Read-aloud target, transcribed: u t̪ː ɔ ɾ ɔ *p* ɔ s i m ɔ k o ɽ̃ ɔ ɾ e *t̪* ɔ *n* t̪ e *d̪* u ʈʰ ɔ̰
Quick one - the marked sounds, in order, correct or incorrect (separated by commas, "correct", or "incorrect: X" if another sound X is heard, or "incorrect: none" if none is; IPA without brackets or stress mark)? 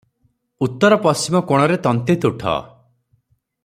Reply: correct, correct, correct, incorrect: t̪